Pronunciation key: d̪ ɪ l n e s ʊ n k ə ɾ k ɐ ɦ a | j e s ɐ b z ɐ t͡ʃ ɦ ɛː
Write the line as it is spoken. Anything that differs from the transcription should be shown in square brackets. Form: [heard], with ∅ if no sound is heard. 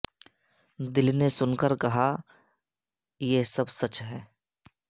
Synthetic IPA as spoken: d̪ ɪ l n e s ʊ n k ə ɾ k ɐ ɦ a | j e s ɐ b [s] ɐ t͡ʃ ɦ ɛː